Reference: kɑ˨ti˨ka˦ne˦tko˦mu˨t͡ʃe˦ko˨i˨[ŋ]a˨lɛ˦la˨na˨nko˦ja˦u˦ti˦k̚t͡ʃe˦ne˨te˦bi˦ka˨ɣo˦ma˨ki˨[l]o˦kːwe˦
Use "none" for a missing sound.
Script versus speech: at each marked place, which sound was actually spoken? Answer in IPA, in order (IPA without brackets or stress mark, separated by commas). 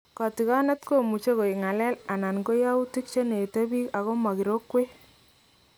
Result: ŋ, ɾ